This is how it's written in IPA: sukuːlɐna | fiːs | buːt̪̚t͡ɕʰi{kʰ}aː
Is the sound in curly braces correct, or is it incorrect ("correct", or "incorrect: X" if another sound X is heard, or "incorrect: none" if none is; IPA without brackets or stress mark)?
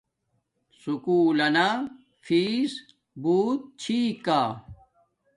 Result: incorrect: k